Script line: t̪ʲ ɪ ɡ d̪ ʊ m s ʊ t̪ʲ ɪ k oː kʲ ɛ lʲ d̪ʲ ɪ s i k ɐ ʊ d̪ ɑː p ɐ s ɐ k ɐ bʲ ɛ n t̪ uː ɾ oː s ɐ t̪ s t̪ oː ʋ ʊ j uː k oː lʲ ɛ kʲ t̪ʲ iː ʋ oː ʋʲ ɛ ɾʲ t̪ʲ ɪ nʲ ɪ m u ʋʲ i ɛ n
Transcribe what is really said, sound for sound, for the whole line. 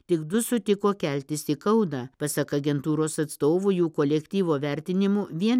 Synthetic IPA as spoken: t̪ʲ ɪ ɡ d̪ ʊ s ʊ t̪ʲ ɪ k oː kʲ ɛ lʲ t̪ʲ ɪ s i k ɐ ʊ d̪ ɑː p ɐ s ɐ k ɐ ɡʲ ɛ n t̪ uː ɾ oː s ɐ t̪ s t̪ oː ʋ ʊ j uː k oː lʲ ɛ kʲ t̪ʲ iː ʋ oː ʋʲ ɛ ɾʲ t̪ʲ ɪ nʲ ɪ m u ʋʲ i ɛ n